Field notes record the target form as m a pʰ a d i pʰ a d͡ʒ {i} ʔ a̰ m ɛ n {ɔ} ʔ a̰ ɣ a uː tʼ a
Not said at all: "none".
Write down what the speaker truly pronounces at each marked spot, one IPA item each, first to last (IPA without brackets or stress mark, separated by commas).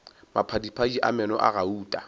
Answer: i, ɔ